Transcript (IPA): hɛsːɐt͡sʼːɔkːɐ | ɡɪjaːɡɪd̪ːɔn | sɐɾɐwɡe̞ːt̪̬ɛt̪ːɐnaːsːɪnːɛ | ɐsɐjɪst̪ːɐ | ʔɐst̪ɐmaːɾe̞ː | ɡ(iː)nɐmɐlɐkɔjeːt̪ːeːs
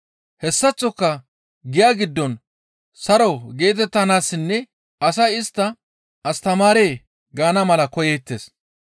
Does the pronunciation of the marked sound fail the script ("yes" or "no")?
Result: yes